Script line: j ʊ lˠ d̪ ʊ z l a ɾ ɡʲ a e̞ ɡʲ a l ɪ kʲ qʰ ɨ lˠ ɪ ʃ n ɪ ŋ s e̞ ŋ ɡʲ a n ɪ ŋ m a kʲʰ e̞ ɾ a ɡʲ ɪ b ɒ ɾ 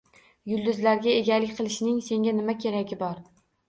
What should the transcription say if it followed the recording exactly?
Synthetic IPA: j ʊ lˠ d̪ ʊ z l a ɾ ɡʲ a e̞ ɡʲ a l ɪ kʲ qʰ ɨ lˠ ɪ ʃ n ɪ ŋ s e̞ ŋ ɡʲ a n ɪ m a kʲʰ e̞ ɾ a ɡʲ ɪ b ɒ ɾ